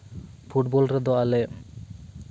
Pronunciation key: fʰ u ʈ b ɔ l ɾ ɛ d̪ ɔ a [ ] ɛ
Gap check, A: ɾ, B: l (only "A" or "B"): B